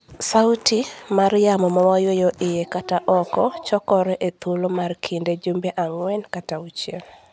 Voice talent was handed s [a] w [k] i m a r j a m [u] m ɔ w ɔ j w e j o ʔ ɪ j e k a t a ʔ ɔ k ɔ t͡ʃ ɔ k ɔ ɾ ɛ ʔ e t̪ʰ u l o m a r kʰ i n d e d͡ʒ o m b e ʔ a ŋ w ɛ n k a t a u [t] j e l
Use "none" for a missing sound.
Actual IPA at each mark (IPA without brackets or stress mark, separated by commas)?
a, t, ɔ, t͡ʃ